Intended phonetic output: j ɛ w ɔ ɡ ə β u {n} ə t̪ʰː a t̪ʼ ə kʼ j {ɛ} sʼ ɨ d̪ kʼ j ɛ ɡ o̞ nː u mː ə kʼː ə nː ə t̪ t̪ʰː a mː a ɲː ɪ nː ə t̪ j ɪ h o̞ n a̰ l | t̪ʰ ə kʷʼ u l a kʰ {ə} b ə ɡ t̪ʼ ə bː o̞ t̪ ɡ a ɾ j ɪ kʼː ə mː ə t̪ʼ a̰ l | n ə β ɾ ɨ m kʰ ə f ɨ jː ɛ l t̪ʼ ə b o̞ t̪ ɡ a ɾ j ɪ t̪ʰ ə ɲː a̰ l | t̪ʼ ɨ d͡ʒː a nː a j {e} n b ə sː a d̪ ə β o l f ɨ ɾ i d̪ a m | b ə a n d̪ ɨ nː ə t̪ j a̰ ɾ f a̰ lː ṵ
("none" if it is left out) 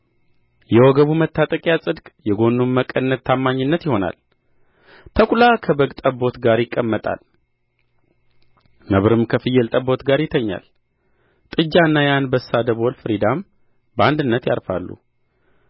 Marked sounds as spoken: m, a, ə, a

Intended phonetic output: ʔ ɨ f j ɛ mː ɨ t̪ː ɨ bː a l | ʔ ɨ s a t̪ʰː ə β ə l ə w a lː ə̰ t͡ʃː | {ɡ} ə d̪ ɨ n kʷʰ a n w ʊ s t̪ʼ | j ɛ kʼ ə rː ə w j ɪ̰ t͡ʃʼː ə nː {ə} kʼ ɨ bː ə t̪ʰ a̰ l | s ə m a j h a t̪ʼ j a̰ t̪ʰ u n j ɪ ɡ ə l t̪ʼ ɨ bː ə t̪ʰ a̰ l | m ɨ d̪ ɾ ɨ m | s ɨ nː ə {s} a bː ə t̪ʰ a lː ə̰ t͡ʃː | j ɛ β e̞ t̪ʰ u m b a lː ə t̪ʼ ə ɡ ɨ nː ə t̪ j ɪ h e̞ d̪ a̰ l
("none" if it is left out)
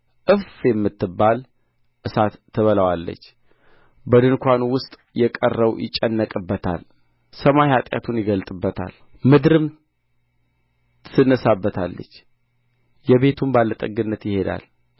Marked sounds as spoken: b, ə, s

